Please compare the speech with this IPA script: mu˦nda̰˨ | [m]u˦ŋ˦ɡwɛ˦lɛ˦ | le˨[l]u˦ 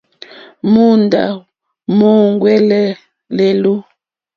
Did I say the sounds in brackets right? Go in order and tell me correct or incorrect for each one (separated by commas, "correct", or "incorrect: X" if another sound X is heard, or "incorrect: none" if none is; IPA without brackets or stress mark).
correct, correct